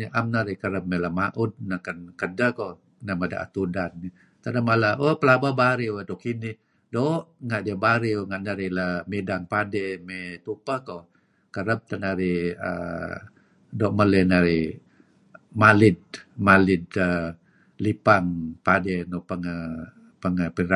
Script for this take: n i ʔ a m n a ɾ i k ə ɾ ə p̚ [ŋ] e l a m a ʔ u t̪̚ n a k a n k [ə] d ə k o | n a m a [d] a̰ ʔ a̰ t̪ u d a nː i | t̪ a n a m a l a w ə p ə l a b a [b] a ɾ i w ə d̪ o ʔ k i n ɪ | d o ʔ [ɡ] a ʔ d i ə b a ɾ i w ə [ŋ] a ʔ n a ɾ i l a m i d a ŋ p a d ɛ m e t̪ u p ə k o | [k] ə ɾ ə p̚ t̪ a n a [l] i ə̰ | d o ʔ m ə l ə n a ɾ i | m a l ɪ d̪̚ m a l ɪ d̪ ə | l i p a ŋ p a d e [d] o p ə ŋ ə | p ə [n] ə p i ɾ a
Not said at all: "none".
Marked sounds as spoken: m, ə, d, b, ŋ, ŋ, k, ɾ, n, ŋ

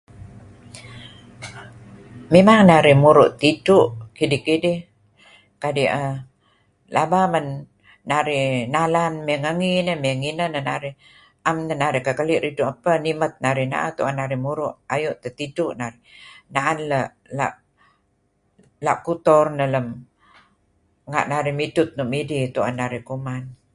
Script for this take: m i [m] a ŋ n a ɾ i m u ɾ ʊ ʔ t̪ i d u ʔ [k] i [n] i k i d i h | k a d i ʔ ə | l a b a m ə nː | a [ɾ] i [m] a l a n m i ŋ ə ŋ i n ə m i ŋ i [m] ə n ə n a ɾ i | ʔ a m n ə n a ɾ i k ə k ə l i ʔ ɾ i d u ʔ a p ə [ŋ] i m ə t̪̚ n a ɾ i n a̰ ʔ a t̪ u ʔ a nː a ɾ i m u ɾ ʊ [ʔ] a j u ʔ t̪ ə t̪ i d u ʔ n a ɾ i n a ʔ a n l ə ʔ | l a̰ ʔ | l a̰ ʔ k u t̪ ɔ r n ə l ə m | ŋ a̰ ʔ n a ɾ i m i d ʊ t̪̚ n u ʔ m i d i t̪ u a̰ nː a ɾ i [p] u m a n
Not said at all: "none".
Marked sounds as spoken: m, k, d, ɾ, n, n, n, ʔ, k

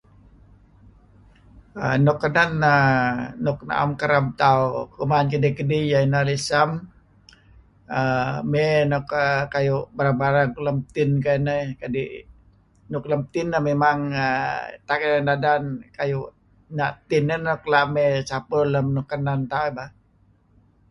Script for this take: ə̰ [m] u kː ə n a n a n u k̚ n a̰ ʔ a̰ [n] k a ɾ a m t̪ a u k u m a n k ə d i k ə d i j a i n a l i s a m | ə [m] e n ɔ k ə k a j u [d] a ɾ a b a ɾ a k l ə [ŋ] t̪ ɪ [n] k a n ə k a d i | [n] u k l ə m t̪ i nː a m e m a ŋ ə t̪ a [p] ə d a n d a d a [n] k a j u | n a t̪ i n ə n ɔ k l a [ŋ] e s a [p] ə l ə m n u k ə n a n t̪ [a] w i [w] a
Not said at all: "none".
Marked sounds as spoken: n, m, m, b, m, n, n, k, n, m, p, a, b

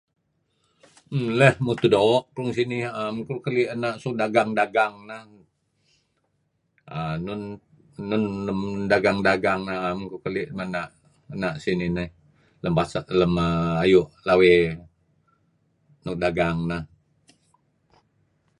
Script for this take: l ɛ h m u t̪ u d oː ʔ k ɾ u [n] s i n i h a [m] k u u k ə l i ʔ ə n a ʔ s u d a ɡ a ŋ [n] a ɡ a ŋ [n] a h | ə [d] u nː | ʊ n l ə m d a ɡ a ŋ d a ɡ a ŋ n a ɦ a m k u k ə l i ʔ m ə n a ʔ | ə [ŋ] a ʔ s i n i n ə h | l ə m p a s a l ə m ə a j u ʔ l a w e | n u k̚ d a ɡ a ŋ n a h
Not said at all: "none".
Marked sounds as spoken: ŋ, m, d, n, n, n

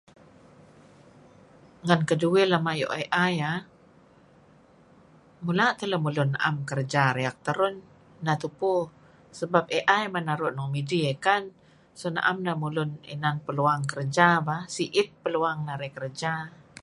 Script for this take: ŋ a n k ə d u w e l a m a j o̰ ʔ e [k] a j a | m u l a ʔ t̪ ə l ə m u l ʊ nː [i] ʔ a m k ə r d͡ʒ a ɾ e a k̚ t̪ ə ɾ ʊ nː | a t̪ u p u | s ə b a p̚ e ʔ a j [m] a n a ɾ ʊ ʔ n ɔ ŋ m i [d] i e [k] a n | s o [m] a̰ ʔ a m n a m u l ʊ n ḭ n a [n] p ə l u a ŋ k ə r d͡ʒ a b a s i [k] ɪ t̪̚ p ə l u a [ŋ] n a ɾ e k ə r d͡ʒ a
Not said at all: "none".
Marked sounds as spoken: ʔ, a, m, d, k, n, n, ʔ, ŋ

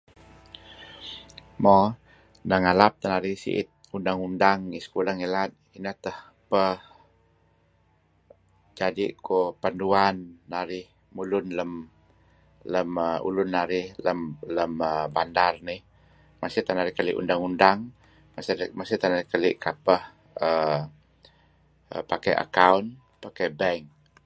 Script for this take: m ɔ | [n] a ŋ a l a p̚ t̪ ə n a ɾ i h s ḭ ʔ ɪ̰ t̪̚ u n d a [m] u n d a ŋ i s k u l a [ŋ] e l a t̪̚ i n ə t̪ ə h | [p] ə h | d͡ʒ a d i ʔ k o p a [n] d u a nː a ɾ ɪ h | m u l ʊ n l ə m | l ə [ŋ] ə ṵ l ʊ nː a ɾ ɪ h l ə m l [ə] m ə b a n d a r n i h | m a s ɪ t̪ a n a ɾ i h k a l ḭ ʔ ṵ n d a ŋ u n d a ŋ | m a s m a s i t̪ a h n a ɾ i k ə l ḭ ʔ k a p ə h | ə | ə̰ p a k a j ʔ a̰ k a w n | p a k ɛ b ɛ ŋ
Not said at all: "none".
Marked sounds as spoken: n, ŋ, ŋ, p, n, m, ə

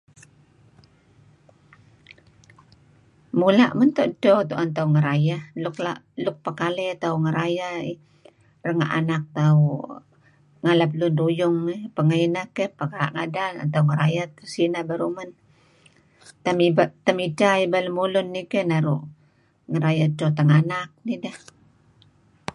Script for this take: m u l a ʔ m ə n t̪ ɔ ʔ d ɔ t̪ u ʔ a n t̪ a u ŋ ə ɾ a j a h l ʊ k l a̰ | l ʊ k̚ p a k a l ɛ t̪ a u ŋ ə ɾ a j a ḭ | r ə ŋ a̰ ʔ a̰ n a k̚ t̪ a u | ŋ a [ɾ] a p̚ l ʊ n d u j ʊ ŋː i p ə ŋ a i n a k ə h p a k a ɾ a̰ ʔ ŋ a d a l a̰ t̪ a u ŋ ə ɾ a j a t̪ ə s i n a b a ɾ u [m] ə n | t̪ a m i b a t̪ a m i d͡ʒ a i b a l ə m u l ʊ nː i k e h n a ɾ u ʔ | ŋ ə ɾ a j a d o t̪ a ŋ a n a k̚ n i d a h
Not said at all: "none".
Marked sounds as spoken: l, m

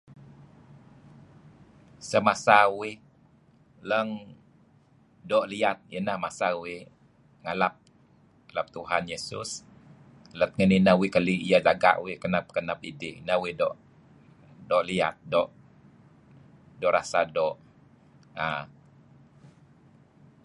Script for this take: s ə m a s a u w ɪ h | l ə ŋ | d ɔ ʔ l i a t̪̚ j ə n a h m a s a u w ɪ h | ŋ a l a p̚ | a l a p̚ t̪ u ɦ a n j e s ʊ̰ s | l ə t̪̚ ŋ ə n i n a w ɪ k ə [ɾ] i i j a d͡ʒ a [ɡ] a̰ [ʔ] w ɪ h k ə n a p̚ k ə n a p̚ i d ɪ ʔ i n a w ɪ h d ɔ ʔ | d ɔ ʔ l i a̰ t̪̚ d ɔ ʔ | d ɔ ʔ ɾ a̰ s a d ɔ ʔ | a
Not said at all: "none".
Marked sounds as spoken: l, ɡ, ʔ

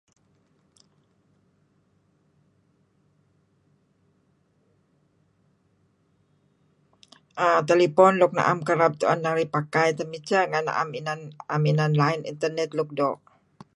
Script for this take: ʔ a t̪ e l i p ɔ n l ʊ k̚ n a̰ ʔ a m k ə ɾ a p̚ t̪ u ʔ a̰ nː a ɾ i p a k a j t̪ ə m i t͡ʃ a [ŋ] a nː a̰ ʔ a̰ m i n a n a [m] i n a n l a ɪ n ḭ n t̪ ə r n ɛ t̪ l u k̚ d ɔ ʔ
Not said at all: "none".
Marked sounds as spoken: ŋ, m

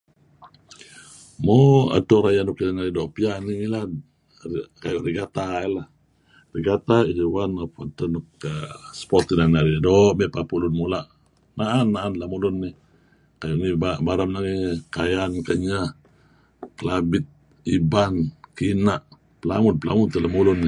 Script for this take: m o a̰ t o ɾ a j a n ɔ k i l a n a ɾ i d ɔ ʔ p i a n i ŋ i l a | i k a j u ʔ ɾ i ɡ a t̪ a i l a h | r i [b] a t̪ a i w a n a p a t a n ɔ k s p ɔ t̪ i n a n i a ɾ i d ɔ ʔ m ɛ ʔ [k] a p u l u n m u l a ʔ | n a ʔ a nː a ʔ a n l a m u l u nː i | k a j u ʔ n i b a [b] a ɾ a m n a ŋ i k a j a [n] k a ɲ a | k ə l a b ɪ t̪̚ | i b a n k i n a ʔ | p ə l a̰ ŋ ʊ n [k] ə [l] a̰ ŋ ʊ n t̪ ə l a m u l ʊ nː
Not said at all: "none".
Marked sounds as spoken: ɡ, p, b, n, p, l

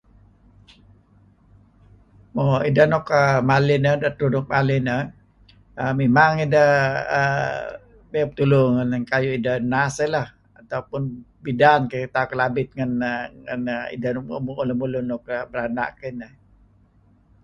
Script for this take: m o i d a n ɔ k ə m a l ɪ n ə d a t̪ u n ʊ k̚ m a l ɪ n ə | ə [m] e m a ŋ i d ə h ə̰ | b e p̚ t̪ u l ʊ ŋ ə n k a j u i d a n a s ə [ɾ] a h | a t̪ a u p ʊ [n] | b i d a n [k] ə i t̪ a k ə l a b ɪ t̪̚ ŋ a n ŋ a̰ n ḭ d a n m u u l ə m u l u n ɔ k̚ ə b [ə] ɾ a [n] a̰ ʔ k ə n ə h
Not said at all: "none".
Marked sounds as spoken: m, l, n, k, ə, n

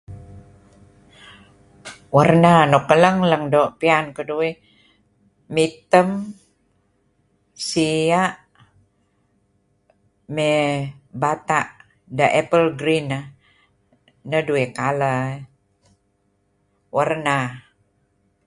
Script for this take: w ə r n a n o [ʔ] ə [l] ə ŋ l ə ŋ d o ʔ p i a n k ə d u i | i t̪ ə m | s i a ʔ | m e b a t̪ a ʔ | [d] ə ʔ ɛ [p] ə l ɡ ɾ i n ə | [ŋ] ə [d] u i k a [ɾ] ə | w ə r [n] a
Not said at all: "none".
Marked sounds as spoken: k, l, d, p, n, d, l, n

